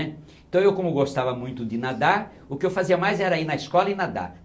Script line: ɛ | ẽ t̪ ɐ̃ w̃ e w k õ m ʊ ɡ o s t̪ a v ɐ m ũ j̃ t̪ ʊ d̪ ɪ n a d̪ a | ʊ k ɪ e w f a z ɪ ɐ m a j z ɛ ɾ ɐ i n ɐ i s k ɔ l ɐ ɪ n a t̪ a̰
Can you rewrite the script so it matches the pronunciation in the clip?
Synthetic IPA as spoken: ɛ | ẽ t̪ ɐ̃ w̃ e w k õ m ʊ ɡ o s t̪ a v ɐ m ũ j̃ t̪ ʊ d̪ ɪ n a d̪ a | ʊ k ɪ e w f a z i ɐ m a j z ɛ ɾ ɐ i n ɐ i s k ɔ l ɐ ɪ n a d̪ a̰